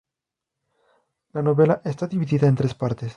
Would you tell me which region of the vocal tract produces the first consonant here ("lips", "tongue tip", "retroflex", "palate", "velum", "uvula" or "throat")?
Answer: tongue tip